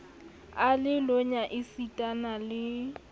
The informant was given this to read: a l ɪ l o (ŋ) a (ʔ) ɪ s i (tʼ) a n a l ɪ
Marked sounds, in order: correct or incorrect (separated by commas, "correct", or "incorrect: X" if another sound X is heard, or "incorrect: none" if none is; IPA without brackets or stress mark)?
incorrect: ɲ, correct, correct